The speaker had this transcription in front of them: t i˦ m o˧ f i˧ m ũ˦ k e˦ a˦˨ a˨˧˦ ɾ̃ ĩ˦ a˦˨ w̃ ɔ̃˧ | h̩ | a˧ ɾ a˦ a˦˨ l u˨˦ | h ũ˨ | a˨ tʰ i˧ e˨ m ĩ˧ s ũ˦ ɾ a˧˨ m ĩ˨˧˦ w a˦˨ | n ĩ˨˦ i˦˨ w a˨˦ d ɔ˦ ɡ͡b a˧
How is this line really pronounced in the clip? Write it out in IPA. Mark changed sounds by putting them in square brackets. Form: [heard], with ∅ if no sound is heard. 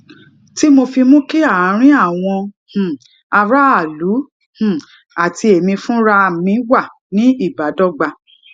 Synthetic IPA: t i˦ m o˧ f i˧ m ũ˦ k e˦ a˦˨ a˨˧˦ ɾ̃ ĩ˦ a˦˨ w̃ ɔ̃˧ | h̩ | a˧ ɾ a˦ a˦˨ l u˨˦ | h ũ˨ | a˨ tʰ i˧ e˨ m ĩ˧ [f] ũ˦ ɾ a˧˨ m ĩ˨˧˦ w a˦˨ | n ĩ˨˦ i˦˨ [b] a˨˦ d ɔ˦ ɡ͡b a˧